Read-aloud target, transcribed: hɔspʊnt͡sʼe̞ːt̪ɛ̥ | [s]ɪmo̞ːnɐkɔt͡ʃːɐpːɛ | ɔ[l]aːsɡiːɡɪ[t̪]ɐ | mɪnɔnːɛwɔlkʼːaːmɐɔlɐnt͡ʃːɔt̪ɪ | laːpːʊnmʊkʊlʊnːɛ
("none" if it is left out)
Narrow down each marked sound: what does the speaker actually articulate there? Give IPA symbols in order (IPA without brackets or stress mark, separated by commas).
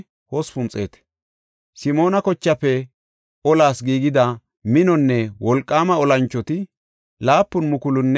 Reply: s, l, d̪